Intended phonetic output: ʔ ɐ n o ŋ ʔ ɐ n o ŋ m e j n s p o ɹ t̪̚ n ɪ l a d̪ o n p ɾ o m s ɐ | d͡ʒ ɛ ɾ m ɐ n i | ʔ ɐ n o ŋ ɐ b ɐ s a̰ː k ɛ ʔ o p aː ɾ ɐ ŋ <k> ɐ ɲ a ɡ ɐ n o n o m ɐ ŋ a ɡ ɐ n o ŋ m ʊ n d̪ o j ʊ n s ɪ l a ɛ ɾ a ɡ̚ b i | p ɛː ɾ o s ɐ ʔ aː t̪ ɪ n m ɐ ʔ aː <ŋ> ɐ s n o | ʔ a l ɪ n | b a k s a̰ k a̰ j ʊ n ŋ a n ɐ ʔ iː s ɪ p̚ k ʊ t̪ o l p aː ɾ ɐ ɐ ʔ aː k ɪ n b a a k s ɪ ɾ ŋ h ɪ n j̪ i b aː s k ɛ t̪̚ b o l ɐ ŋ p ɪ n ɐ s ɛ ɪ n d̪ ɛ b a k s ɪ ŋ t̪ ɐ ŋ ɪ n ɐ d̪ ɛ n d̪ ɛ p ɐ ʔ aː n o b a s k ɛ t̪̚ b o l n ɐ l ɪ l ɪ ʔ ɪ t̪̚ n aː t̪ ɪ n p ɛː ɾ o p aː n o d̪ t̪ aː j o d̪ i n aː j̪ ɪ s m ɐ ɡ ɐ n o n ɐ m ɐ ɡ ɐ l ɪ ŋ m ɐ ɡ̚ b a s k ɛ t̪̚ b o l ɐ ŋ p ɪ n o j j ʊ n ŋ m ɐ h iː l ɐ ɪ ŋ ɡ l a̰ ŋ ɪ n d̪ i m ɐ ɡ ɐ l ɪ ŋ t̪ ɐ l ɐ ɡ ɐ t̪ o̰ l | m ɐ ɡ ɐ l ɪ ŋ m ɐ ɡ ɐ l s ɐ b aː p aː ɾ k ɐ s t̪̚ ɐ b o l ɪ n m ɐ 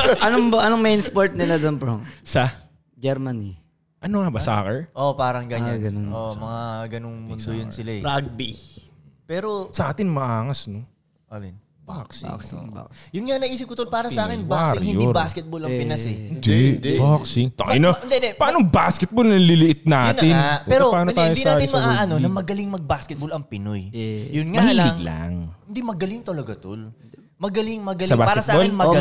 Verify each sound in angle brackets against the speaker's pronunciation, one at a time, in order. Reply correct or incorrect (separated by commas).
incorrect, correct